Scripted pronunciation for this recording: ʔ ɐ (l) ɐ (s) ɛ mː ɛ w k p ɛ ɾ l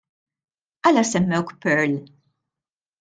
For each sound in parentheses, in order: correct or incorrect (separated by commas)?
correct, correct